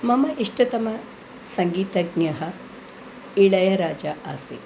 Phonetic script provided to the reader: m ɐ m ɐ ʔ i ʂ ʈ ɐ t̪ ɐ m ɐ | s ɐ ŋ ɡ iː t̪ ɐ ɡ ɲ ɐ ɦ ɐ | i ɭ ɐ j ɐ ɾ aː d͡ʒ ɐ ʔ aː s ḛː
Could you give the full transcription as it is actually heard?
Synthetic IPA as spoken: m ɐ m ɐ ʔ i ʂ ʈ ɐ t̪ ɐ m ɐ | s ɐ ŋ ɡ iː t̪ ɐ ɡ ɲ ɐ ɦ ɐ | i ɭ ɐ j ɐ ɾ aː d͡ʒ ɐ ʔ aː s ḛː